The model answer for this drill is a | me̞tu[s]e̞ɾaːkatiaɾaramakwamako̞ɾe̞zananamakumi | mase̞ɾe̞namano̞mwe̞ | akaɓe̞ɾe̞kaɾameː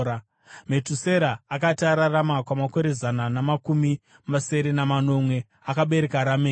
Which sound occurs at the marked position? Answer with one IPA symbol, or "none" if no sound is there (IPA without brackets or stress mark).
s